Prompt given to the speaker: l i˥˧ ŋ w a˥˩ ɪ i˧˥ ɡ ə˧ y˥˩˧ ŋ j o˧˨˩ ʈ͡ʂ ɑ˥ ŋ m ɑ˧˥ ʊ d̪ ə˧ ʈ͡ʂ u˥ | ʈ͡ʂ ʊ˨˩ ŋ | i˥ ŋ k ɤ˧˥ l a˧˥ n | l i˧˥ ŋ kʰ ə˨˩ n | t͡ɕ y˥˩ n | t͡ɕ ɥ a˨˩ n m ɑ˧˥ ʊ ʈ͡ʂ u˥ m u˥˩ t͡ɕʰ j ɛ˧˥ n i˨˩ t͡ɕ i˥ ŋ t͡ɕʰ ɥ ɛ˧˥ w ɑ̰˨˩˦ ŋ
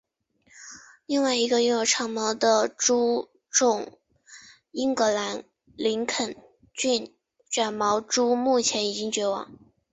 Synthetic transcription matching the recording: l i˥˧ ŋ w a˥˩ ɪ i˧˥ ɡ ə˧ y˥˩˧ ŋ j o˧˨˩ ʈ͡ʂʰ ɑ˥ ŋ m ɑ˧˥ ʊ d̪ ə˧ ʈ͡ʂ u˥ | ʈ͡ʂ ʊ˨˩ ŋ | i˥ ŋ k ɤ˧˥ l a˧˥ n | l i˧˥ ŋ kʰ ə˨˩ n | t͡ɕ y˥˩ n | t͡ɕ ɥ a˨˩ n m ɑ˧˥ ʊ ʈ͡ʂ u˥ m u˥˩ t͡ɕʰ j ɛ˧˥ n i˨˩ t͡ɕ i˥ ŋ t͡ɕ ɥ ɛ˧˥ w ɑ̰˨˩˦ ŋ